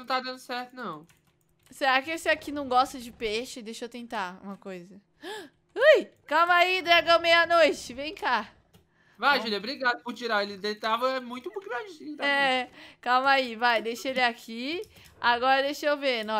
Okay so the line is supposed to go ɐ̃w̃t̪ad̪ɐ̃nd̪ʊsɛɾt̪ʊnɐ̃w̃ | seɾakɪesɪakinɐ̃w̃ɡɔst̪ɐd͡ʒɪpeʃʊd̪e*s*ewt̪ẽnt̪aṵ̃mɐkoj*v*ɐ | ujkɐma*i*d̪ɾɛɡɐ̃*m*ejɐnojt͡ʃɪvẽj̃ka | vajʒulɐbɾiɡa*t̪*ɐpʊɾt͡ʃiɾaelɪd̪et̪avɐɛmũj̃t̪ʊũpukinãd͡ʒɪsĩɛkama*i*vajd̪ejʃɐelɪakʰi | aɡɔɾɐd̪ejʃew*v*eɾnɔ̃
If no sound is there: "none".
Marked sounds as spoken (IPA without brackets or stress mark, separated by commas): ʃ, z, i, m, d̪, i, v